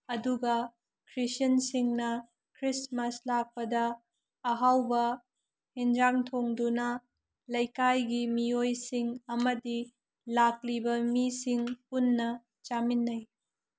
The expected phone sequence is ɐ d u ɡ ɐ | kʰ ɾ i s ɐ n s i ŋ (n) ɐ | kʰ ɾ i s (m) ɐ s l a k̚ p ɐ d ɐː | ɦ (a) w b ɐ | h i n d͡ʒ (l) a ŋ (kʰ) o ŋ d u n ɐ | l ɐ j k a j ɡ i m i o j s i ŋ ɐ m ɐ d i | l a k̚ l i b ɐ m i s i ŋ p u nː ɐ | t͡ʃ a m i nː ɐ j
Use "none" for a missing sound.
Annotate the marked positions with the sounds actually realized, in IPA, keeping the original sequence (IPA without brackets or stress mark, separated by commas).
n, m, a, ɾ, tʰ